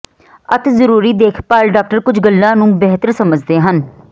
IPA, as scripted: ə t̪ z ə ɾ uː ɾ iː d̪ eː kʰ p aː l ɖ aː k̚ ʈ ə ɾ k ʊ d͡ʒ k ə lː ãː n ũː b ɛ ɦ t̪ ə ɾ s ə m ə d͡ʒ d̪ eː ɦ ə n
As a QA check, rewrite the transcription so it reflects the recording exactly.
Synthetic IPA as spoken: ə t̪ z ə ɾ uː ɾ iː d̪ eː kʰ p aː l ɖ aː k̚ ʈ ə ɾ k ʊ d͡ʒ ɡ ə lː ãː n ũː b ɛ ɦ t̪ ə ɾ s ə m ə d͡ʒ d̪ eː ɦ ə n